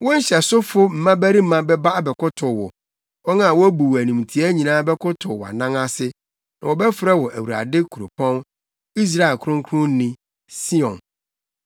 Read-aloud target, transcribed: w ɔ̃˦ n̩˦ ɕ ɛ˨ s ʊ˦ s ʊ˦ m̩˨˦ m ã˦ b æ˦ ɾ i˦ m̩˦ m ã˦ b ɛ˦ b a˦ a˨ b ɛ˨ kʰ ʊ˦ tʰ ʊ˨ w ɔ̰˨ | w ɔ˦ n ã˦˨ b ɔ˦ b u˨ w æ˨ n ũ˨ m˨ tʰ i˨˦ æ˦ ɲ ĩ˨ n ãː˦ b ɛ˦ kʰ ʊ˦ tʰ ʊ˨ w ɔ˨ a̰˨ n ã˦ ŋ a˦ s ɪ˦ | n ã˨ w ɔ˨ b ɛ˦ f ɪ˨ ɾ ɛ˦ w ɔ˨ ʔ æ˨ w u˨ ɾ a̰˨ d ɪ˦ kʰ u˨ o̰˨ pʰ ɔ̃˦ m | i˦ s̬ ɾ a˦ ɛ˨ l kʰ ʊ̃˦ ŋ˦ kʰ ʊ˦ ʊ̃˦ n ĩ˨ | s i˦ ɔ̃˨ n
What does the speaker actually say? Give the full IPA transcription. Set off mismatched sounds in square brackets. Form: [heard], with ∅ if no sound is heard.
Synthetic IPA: w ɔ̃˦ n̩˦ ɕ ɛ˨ s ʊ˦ [f] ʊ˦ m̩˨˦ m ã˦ b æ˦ ɾ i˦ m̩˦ m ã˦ b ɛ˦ b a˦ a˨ b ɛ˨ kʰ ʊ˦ tʰ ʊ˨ w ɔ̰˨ | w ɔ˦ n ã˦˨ [w] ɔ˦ b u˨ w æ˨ n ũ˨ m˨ tʰ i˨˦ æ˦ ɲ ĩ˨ n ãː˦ b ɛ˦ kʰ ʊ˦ tʰ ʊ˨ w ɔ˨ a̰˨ n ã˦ ŋ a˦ s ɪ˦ | n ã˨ w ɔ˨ b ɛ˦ f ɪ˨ ɾ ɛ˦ w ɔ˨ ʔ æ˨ w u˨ ɾ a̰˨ d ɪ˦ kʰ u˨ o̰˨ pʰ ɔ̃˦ [n] | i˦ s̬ ɾ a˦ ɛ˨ l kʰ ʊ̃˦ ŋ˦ kʰ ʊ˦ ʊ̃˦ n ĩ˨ | s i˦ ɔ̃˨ n